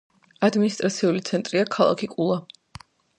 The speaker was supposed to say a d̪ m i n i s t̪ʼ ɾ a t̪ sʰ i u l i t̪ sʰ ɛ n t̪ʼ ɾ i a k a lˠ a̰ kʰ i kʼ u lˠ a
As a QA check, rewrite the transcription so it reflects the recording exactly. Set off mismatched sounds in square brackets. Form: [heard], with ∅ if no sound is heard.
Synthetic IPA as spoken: a d̪ m i n i s t̪ʼ ɾ a t̪ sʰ i u l i t̪ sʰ ɛ n t̪ʼ ɾ i a [kʰ] a lˠ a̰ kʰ i kʼ u lˠ a